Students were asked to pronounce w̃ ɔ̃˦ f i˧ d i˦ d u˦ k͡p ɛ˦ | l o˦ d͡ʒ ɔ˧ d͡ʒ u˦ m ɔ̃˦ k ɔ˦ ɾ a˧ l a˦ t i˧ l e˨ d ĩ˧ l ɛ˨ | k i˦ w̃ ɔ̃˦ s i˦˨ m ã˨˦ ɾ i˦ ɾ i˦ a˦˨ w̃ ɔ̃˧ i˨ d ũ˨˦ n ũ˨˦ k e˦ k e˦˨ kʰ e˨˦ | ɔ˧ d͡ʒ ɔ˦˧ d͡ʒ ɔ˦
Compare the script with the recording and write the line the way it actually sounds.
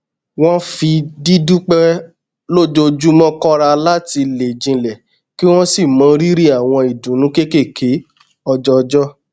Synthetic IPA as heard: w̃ ɔ̃˦ f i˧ d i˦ d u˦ k͡p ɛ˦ | l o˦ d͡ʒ o˧ d͡ʒ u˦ m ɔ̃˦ k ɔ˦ ɾ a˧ l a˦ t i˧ l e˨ d͡ʒ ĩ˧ l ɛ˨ | k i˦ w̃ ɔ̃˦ s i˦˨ m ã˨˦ ɾ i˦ ɾ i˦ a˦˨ w̃ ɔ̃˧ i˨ d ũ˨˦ n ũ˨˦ k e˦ k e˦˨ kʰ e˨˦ | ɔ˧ d͡ʒ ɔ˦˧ d͡ʒ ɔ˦